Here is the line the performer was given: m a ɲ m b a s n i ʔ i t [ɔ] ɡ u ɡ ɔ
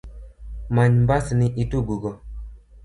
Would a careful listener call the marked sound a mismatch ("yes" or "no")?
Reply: yes